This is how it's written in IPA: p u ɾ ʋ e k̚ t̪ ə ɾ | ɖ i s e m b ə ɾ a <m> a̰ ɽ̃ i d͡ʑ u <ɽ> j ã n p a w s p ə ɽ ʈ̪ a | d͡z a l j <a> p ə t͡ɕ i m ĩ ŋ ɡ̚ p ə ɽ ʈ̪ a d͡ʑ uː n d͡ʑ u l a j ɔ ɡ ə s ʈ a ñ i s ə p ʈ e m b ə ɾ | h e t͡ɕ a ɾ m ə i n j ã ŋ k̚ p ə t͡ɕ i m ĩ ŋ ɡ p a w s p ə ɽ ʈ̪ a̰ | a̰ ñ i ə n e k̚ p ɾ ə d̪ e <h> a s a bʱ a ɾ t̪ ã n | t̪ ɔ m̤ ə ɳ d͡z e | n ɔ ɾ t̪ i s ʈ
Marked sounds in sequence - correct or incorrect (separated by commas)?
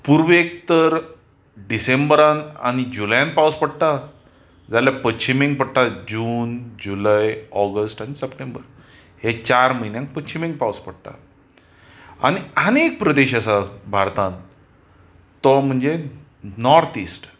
incorrect, incorrect, correct, incorrect